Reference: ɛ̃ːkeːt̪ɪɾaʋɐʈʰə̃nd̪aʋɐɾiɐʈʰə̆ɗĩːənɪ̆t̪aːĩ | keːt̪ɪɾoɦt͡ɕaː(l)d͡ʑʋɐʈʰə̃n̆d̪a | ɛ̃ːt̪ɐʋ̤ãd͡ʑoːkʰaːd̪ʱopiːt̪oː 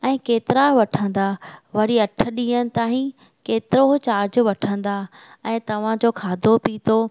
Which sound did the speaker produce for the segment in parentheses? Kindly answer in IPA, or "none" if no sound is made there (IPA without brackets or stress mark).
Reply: ɾ